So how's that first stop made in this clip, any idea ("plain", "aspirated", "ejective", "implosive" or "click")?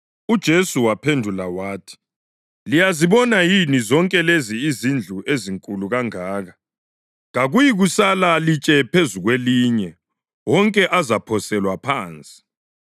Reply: plain